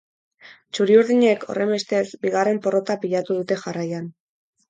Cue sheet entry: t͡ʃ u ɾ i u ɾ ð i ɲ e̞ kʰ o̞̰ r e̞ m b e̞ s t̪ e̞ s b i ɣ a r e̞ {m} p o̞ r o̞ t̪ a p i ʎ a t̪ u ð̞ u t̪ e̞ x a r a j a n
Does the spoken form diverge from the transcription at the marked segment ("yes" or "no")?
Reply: no